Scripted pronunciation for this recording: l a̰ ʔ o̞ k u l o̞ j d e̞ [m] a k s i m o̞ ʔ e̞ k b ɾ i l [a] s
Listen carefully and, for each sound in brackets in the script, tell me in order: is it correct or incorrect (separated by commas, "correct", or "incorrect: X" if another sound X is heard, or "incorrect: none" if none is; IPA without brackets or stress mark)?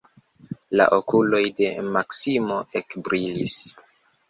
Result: correct, incorrect: i